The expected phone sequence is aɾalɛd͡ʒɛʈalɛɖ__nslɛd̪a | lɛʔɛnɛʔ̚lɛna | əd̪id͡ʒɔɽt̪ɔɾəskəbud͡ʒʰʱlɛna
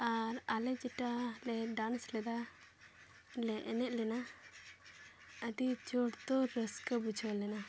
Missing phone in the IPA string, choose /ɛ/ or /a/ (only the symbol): a